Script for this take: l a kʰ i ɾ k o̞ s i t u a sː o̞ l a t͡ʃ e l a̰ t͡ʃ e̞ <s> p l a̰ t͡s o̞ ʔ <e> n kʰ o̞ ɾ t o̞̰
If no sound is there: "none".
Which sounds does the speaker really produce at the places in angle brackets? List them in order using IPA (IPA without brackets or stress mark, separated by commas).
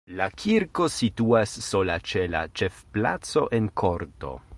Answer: f, e